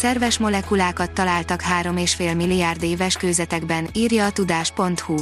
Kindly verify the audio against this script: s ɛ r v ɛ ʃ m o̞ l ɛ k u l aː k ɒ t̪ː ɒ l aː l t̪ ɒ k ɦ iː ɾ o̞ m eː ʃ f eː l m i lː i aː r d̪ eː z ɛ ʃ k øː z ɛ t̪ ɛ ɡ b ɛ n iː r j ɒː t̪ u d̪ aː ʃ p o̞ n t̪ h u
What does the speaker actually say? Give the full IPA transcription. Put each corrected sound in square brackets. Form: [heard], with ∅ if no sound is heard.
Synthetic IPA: s ɛ r v ɛ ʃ m o̞ l ɛ k u l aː k ɒ t̪ː ɒ l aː l t̪ ɒ k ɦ [aː] ɾ o̞ m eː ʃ f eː l m i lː i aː r d̪ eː [v] ɛ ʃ k øː z ɛ t̪ ɛ ɡ b ɛ n iː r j ɒː t̪ u d̪ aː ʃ p o̞ n t̪ h u